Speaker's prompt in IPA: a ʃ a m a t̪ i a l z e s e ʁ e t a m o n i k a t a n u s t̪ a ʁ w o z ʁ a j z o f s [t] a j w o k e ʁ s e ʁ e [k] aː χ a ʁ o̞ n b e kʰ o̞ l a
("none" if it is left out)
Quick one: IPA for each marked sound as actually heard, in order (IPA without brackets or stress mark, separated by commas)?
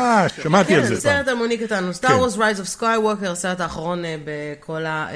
k, t